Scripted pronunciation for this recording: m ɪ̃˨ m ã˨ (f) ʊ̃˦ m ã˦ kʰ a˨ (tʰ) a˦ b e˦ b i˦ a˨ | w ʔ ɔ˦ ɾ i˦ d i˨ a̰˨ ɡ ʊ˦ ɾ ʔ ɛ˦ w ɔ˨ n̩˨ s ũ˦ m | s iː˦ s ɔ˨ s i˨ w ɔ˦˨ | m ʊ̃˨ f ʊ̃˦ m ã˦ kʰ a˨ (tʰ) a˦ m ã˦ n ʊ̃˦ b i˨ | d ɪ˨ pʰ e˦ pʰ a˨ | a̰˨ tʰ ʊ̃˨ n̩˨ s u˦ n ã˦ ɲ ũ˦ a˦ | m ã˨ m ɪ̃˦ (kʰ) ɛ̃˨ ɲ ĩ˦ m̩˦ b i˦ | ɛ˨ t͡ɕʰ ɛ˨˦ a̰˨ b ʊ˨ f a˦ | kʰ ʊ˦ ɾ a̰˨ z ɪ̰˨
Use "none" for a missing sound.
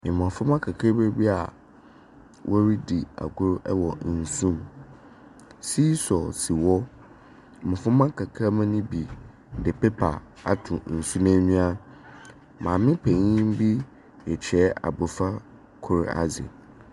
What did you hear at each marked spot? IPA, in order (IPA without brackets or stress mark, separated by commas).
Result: f, kʰ, kʰ, pʰ